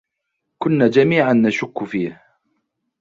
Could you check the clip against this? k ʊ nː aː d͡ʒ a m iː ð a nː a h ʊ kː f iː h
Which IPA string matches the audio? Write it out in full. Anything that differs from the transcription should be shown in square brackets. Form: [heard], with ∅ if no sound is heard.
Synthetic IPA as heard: k ʊ nː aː d͡ʒ a m iː [ʕ] a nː a [ʃ] ʊ kː f iː h